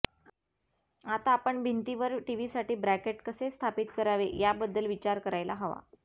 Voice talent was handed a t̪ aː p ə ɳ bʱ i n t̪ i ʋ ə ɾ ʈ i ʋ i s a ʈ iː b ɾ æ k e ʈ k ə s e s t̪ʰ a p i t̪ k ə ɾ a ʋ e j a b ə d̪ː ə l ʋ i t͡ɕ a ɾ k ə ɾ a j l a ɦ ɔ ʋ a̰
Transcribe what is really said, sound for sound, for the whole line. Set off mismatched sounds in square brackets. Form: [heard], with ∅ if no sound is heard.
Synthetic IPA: a t̪ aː p ə ɳ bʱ i n t̪ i ʋ ə ɾ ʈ i ʋ i s a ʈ iː b ɾ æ k e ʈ k ə s e s t̪ʰ a p i t̪ k ə ɾ a ʋ e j a b ə d̪ː ə l ʋ i t͡ɕ a ɾ k ə ɾ a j l a ɦ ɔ ʋ a̰